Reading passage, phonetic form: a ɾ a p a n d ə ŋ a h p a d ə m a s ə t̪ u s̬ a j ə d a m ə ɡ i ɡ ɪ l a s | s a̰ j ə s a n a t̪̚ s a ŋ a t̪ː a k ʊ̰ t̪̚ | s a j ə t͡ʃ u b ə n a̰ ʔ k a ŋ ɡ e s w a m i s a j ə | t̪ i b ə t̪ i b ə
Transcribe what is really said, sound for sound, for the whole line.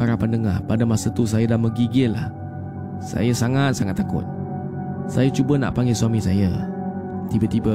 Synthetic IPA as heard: a ɾ a p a n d ə ŋ a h p a d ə m a s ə t̪ u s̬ a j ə d a m ə ɡ i ɡ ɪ l a h | s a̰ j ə s a ŋ a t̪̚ s a ŋ a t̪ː a k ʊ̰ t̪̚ | s a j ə t͡ʃ u b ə n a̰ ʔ p a ŋ ɡ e s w a m i s a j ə | t̪ i b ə t̪ i b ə